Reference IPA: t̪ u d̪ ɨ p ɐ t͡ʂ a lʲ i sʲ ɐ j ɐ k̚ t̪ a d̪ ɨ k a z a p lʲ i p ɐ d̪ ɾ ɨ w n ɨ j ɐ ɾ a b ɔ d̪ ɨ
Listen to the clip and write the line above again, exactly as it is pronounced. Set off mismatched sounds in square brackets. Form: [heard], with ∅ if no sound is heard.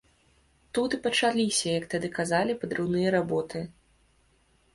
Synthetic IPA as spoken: t̪ u [t̪] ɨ p ɐ t͡ʂ a lʲ i sʲ ɐ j ɐ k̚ t̪ a d̪ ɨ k a z a [∅] lʲ i p ɐ d̪ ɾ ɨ w n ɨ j ɐ ɾ a b ɔ [t̪] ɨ